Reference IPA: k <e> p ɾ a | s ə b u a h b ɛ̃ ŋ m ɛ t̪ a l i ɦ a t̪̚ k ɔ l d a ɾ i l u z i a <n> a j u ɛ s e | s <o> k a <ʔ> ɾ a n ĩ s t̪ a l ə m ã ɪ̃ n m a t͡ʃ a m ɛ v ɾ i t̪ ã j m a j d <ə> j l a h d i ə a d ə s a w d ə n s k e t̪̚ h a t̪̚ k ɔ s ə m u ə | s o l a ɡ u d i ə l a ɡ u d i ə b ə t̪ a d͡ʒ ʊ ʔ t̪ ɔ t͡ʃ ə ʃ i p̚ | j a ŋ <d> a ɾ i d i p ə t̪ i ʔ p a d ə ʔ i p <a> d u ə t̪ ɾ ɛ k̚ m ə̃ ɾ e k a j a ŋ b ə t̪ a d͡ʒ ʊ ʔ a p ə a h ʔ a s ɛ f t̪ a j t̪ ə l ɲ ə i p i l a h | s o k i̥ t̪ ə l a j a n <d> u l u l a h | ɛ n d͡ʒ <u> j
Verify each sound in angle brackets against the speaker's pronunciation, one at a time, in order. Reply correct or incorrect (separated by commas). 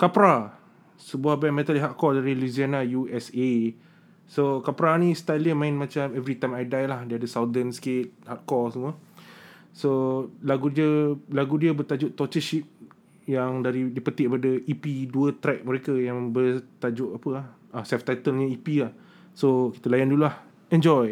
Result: incorrect, correct, correct, incorrect, incorrect, correct, incorrect, correct, incorrect